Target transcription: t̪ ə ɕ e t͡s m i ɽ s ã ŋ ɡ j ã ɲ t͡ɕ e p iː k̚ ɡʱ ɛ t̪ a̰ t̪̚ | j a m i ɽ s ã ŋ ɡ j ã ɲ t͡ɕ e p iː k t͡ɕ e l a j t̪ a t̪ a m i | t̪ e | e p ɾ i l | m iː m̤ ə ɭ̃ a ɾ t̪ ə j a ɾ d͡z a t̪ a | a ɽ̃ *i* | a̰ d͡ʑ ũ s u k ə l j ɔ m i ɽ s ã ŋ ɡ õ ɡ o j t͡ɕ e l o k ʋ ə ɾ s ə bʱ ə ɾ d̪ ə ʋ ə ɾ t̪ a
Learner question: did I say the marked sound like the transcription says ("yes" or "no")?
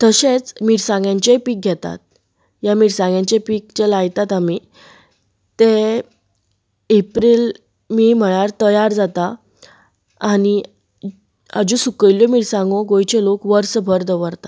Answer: yes